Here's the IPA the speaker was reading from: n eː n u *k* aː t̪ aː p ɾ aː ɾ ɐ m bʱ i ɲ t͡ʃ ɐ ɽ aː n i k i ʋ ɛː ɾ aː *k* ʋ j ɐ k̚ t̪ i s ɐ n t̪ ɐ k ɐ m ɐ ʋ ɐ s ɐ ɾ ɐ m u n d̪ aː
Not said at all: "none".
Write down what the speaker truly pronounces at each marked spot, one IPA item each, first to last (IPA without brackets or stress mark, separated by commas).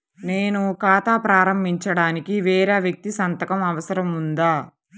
k, none